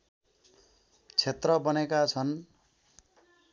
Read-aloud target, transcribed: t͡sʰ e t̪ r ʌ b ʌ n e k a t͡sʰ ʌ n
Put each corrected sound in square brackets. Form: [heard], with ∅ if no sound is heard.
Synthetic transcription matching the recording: t͡sʰ e t̪ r ʌ b ʌ n e k a t͡sʰ ʌ n